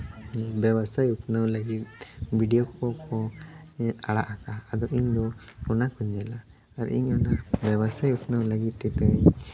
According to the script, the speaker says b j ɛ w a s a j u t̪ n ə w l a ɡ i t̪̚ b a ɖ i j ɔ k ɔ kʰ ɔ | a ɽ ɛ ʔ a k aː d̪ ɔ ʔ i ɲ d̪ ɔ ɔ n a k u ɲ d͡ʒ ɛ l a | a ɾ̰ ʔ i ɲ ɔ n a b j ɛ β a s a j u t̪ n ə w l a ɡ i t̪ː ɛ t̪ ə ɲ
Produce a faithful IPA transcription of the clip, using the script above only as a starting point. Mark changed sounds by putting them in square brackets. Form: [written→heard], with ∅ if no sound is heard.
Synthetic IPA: b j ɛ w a s a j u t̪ n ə w l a ɡ i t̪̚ b [a→i] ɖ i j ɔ k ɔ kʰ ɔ | a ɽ [ɛ→a] ʔ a k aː d̪ ɔ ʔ i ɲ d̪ ɔ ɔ n a k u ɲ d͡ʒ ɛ l a | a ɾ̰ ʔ i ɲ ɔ n a b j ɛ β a s a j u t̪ n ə w l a ɡ i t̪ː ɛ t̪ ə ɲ